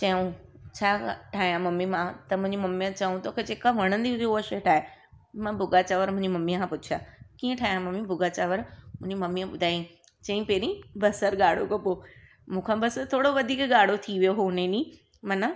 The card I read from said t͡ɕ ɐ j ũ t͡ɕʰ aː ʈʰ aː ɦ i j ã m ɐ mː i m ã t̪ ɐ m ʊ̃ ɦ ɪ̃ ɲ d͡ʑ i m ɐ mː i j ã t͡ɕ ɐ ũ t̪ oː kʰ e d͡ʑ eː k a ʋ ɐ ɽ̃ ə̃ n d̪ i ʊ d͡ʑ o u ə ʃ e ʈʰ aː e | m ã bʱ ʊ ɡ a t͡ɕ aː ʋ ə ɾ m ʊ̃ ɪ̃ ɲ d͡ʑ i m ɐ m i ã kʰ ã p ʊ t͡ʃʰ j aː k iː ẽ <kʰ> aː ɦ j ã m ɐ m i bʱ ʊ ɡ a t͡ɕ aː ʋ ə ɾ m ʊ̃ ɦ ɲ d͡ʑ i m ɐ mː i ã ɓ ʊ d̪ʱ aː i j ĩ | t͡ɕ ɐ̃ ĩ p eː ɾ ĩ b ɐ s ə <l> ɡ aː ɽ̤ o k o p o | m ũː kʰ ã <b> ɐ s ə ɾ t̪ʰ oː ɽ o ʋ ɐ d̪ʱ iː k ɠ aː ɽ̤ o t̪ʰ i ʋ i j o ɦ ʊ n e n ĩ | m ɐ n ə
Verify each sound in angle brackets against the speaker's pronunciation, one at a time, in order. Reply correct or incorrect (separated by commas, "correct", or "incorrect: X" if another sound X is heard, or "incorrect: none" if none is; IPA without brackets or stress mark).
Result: incorrect: ʈʰ, incorrect: ɾ, correct